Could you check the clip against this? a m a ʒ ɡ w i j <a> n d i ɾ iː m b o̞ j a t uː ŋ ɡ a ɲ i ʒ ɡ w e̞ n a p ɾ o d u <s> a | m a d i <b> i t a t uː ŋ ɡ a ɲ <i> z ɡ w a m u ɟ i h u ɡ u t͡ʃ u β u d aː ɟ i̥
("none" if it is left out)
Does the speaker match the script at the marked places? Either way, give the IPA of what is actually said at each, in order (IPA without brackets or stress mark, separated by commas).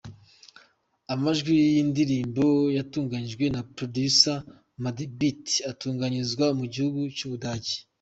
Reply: i, s, b, i